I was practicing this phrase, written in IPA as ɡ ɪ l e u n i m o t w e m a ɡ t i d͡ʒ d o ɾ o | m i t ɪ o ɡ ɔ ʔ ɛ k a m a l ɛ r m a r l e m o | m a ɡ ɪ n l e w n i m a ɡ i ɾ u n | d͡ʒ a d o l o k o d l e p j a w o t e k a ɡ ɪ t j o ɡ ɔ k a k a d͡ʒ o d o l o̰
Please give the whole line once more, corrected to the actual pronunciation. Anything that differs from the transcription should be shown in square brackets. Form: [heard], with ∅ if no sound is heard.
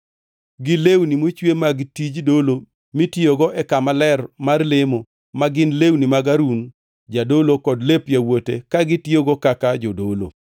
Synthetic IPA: ɡ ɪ l e [w] n i m o [t͡ʃ] w e m a ɡ t i d͡ʒ d o [l] o | m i t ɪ o ɡ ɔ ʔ ɛ k a m a l ɛ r m a r l e m o | m a ɡ ɪ n l e w n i m a ɡ [a] ɾ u n | d͡ʒ a d o l o k [ɔ] d l e p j a w o t e k a ɡ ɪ t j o ɡ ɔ k a k a d͡ʒ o d o l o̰